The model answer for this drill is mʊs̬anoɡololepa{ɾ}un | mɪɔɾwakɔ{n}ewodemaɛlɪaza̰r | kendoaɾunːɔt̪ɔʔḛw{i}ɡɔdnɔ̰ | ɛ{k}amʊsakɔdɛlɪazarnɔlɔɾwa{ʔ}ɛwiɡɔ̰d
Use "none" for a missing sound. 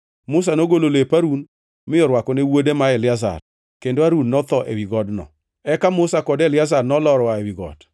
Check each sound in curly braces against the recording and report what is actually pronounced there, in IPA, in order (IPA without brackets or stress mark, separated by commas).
ɾ, n, i, k, none